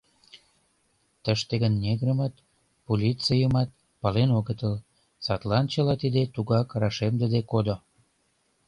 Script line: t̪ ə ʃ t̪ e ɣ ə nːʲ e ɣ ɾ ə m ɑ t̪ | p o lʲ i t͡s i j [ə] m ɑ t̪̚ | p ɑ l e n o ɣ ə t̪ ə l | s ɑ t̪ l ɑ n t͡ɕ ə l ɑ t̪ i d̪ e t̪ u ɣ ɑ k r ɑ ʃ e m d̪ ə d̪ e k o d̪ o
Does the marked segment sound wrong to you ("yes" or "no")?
no